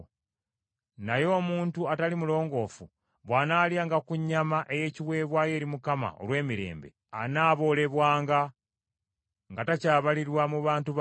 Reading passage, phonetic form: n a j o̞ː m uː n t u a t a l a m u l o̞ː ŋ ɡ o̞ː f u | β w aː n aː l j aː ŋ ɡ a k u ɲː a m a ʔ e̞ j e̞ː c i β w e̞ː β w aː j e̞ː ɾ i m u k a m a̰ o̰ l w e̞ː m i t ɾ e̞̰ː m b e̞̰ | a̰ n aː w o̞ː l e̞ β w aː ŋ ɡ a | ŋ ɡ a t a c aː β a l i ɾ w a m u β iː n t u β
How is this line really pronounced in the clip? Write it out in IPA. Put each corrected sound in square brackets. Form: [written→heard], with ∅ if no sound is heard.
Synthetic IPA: n a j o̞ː m uː n t u a t a l [a→i] m u l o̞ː ŋ ɡ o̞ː f u | β w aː n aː l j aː ŋ ɡ a k u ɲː a m a ʔ e̞ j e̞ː c i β w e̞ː β w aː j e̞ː ɾ i m u k a m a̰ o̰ l w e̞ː m i [t→∅] ɾ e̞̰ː m b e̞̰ | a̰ n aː [w→β] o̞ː l e̞ β w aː ŋ ɡ a | ŋ ɡ a t a c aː β a l i ɾ w a m u β [iː→aː] n t u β